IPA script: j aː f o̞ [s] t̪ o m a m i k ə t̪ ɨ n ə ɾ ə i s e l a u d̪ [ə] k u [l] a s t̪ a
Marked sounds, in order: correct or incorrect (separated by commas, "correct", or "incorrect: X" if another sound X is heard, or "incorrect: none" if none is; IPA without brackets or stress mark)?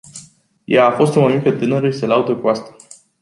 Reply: correct, correct, incorrect: none